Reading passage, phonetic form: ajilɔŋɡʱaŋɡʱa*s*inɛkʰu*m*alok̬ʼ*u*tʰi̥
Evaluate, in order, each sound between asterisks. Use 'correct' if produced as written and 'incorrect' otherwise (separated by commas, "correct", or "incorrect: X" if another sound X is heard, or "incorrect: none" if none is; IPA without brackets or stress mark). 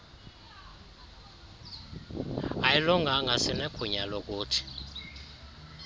correct, incorrect: ɲ, incorrect: uː